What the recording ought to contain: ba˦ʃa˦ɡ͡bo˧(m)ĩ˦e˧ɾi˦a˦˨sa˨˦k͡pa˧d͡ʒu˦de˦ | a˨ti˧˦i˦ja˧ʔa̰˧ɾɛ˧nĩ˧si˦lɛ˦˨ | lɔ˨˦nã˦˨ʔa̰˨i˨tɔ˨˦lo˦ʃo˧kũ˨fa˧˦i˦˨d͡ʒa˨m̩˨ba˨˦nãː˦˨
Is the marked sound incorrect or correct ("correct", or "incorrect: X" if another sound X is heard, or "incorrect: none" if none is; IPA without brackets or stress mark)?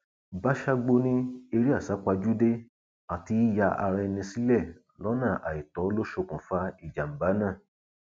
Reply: incorrect: n